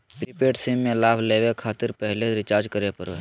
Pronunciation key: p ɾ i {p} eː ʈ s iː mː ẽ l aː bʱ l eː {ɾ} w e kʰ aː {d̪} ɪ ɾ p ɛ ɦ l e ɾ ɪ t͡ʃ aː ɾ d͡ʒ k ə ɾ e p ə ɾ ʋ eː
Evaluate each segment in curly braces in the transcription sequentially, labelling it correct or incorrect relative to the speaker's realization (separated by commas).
correct, incorrect, incorrect